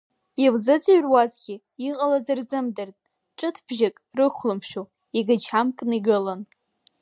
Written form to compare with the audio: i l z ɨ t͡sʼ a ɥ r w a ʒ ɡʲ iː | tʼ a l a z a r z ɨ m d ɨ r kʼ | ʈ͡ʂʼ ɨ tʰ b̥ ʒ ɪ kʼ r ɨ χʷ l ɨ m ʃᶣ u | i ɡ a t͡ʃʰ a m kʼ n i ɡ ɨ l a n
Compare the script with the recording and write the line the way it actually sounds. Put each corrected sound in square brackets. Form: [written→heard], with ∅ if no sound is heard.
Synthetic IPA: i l z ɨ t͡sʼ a ɥ r w a [ʒ→z] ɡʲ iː | [tʼ→qʼ] a l a z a r z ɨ m d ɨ r [kʼ→tʼ] | ʈ͡ʂʼ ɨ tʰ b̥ ʒ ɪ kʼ r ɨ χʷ l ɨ m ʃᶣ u | i ɡ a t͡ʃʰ a m kʼ n i ɡ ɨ l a n